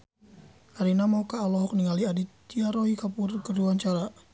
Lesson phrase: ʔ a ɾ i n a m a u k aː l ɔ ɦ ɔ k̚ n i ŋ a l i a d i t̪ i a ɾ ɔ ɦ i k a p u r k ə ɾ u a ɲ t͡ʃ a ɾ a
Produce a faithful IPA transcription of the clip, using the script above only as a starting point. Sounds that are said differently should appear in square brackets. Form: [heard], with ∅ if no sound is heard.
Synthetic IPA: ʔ a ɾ i n a m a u k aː l ɔ ɦ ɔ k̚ n i ŋ a l i a d i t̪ i a ɾ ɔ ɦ i k a p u r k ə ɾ u a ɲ t͡ʃ a ɾ a

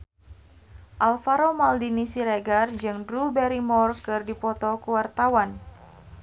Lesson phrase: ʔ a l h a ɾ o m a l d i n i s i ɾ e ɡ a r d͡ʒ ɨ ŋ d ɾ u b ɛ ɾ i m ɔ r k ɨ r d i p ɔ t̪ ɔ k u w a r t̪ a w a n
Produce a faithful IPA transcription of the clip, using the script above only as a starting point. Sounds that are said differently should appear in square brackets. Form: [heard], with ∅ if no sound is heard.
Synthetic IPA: ʔ a l [f] a ɾ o m a l d i n i s i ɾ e ɡ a r d͡ʒ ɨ ŋ d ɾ u b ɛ ɾ i m ɔ r k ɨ r d i p ɔ t̪ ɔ k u w a r t̪ a w a n

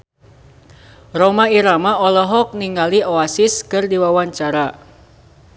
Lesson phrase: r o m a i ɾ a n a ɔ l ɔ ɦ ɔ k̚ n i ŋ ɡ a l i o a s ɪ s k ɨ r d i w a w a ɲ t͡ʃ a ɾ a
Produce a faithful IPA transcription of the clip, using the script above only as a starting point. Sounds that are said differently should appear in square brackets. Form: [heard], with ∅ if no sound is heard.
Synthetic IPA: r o m a i ɾ a [m] a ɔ l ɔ ɦ ɔ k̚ n i ŋ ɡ a l i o a s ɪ s k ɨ r d i w a w a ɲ t͡ʃ a ɾ a

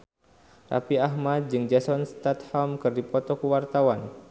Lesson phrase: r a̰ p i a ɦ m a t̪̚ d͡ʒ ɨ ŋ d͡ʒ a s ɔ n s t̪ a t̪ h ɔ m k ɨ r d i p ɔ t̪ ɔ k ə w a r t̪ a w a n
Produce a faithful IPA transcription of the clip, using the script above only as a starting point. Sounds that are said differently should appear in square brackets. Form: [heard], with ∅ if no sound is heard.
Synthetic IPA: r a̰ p i a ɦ m a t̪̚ d͡ʒ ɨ ŋ d͡ʒ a s ɔ n s t̪ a t̪ h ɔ m k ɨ r d i p ɔ t̪ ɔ k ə w a r t̪ a w a n

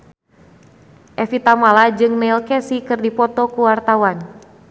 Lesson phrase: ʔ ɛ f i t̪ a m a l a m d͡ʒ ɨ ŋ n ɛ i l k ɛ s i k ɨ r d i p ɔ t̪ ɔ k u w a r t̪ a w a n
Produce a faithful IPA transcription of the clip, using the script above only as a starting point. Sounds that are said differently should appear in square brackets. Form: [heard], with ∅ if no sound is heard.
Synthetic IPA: ʔ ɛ f i t̪ a m a l a [∅] d͡ʒ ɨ ŋ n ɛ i l k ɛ s i k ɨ r d i p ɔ t̪ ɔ k u w a r t̪ a w a n

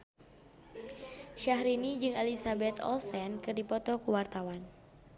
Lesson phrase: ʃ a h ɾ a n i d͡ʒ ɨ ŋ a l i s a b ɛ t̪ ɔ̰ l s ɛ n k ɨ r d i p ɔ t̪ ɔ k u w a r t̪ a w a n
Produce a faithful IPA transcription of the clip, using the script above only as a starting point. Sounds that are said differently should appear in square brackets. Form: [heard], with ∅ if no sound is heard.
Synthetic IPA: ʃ a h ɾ [i] n i d͡ʒ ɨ ŋ a l i s a b ɛ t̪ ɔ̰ l s ɛ n k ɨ r d i p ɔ t̪ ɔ k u w a r t̪ a w a n

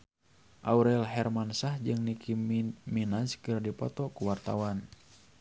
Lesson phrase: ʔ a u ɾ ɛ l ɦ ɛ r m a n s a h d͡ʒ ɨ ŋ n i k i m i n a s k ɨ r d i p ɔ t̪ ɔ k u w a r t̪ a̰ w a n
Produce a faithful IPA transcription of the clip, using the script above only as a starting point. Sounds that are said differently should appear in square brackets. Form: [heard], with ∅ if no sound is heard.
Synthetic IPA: ʔ a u ɾ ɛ l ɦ ɛ r m a n s a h d͡ʒ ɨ ŋ n i k i m i n a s k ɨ r d i p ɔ t̪ ɔ k u w a r t̪ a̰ w a n

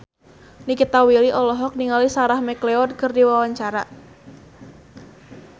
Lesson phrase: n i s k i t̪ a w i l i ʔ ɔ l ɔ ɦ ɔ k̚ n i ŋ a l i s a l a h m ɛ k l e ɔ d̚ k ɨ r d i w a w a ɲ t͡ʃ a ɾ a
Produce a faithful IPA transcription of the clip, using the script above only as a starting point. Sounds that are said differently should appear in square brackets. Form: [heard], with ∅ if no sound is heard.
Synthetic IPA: n i [∅] k i t̪ a w i l i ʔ ɔ l ɔ ɦ ɔ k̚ n i ŋ a l i s a [ɾ] a h m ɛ k l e ɔ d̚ k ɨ r d i w a w a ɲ t͡ʃ a ɾ a

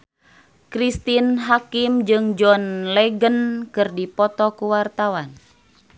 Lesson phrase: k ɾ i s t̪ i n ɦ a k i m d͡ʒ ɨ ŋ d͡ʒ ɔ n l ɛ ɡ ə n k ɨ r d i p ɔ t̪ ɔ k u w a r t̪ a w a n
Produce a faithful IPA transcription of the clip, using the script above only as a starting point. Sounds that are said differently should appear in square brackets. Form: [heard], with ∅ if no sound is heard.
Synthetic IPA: k ɾ i s t̪ i n ɦ a k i m d͡ʒ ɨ ŋ d͡ʒ ɔ n l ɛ ɡ ə n k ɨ r d i p ɔ t̪ ɔ k u w a r t̪ a w a n

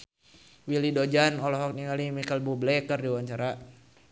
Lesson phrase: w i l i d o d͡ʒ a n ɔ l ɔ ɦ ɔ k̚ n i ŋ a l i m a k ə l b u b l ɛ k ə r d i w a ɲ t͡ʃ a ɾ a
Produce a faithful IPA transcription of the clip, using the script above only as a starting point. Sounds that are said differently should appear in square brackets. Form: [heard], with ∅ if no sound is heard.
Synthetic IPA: w i l i d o d͡ʒ a n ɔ l ɔ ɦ ɔ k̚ n i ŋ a l i m [i] k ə l b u b l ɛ k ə r d i w a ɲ t͡ʃ a ɾ a

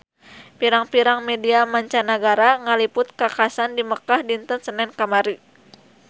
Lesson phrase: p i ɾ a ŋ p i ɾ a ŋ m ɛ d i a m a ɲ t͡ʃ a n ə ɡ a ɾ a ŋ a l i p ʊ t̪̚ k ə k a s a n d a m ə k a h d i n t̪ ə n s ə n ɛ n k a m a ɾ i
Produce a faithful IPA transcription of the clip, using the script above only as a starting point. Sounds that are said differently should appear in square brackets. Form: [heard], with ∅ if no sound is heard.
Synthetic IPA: p i ɾ a ŋ p i ɾ a ŋ m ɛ d i a m a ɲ t͡ʃ a n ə ɡ a ɾ a ŋ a l i p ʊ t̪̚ k [a] k a s a n d [i] m ə k a h d i n t̪ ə n s ə n ɛ n k a m a ɾ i

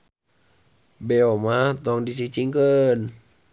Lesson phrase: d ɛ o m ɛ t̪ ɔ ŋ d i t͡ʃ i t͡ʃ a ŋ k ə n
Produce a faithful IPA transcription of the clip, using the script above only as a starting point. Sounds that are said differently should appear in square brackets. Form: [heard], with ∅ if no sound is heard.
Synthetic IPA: [b] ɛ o m [a] t̪ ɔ ŋ d i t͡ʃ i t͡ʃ [i] ŋ k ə n

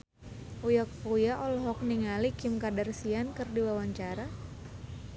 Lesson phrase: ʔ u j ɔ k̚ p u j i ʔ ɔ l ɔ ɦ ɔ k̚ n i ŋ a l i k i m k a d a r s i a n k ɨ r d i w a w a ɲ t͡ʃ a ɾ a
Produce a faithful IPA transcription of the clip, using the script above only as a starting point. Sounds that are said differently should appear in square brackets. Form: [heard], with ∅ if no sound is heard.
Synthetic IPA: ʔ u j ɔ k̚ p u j [a] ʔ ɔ l ɔ ɦ ɔ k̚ n i ŋ a l i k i m k a d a r s i a n k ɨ r d i w a w a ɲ t͡ʃ a ɾ a

